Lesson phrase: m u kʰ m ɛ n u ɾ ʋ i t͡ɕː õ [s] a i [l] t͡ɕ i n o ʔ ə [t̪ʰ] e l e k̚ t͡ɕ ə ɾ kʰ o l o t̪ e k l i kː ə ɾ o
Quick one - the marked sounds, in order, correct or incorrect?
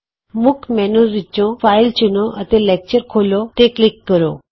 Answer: incorrect: f, correct, incorrect: t̪

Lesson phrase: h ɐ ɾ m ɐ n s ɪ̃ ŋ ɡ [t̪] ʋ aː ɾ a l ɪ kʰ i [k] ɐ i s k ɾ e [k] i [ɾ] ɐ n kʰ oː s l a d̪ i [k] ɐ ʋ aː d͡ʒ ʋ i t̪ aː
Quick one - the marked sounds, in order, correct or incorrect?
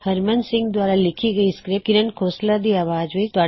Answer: incorrect: d̪, incorrect: ɡ, correct, correct, incorrect: none

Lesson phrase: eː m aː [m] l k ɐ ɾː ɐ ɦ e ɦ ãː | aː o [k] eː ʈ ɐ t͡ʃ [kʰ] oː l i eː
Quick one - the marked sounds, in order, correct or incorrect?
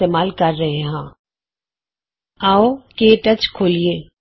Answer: incorrect: none, correct, correct

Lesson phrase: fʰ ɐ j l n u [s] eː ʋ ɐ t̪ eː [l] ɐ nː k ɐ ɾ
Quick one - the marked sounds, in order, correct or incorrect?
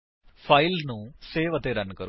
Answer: correct, incorrect: ɾ

